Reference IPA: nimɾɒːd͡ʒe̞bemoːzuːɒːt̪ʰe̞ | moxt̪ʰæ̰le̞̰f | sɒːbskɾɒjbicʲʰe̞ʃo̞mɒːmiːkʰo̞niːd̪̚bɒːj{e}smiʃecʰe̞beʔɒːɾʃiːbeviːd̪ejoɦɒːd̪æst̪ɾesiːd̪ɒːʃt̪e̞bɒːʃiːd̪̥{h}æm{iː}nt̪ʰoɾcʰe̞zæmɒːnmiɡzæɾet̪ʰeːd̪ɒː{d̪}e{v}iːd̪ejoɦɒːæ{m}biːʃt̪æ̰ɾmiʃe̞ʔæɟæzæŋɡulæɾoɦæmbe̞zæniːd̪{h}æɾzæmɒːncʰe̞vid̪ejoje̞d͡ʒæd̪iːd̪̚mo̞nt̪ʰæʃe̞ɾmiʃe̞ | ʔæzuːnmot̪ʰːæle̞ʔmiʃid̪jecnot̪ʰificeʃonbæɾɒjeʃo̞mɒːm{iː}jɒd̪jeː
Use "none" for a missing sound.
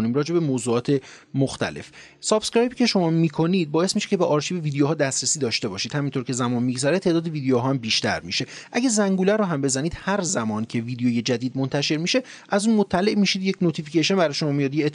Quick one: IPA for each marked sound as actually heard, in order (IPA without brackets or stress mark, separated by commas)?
e, h, i, d̪, v, m, h, i